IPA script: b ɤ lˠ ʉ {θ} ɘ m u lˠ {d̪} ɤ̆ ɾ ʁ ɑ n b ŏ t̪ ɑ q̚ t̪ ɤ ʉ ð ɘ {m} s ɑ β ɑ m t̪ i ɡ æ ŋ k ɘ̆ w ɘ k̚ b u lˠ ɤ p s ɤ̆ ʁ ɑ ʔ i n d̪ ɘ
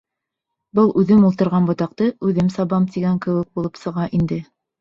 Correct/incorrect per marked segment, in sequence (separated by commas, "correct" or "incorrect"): incorrect, incorrect, correct